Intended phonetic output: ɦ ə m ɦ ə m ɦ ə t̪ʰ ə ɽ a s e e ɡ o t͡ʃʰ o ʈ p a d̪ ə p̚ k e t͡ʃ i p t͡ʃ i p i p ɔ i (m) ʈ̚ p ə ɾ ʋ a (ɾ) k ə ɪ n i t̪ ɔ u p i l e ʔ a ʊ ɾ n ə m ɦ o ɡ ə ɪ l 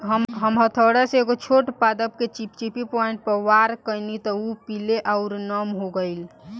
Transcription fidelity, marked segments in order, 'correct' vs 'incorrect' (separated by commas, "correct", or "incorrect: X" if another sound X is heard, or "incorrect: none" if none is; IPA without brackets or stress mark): incorrect: ɳ, correct